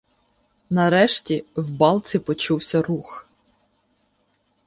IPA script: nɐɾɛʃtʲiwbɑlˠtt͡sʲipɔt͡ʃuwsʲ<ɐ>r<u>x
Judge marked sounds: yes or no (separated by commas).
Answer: yes, yes